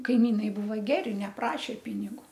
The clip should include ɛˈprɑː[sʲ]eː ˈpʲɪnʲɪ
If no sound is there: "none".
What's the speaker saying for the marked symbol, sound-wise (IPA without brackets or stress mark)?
ʃʲ